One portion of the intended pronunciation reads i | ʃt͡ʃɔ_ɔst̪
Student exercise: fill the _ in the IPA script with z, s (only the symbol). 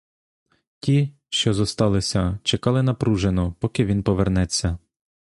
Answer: z